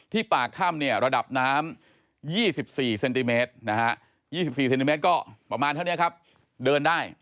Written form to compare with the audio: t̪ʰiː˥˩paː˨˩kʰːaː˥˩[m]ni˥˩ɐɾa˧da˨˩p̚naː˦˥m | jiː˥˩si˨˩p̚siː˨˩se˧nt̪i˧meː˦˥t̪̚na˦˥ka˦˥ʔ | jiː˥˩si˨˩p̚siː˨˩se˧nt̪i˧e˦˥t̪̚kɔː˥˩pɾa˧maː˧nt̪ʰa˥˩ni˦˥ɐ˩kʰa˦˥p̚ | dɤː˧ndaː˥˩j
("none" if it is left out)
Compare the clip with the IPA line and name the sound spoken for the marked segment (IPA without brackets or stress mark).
m